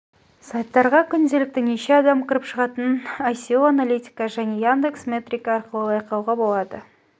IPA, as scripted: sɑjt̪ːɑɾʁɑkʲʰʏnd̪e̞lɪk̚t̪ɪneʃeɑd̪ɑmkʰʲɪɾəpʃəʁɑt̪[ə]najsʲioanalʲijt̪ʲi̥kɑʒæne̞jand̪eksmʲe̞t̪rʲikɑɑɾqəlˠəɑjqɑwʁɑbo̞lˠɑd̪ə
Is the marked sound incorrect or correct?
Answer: correct